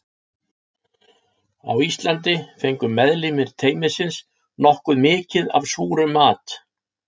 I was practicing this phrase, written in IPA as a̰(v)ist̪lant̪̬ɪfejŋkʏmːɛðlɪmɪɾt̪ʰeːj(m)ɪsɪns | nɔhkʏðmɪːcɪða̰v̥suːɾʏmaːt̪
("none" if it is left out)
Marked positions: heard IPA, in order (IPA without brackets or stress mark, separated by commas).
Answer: w, m